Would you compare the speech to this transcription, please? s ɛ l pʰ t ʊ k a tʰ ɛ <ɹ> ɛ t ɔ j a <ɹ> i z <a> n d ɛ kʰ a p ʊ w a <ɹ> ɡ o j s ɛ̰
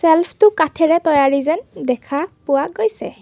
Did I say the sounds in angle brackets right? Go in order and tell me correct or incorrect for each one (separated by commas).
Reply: correct, correct, incorrect, incorrect